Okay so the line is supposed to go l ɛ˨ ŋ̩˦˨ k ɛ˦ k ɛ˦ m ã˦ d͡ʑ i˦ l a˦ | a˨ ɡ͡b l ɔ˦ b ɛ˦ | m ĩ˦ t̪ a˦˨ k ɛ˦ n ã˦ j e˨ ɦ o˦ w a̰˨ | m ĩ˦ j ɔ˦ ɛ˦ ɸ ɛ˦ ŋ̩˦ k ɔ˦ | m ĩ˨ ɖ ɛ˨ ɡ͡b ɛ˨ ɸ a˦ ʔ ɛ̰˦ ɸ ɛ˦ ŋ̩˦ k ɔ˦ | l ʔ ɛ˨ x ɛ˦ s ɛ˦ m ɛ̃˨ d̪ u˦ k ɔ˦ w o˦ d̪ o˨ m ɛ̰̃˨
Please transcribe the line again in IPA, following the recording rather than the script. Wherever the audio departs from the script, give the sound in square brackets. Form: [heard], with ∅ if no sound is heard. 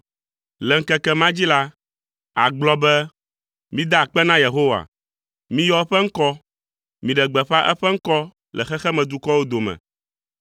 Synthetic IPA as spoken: l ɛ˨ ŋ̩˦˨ k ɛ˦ k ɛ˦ m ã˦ d͡ʑ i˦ l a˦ | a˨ ɡ͡b l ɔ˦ b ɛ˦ | m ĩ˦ [d̪] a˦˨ [k͡p] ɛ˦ n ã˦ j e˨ ɦ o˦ w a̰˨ | m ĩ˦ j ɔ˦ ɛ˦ ɸ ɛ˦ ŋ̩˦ k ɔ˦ | m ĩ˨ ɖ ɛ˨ ɡ͡b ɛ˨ ɸ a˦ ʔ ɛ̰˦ ɸ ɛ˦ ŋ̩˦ k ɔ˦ | l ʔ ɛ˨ x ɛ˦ [x] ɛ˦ m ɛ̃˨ d̪ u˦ k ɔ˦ w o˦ d̪ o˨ m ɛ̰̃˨